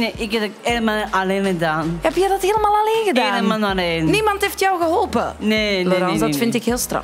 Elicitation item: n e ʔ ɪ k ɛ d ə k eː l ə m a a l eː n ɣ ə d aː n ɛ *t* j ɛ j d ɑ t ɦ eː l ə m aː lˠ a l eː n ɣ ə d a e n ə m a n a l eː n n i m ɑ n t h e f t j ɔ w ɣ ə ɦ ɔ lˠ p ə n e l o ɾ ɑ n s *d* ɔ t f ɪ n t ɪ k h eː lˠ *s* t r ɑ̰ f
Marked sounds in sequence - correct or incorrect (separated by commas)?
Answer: incorrect, correct, correct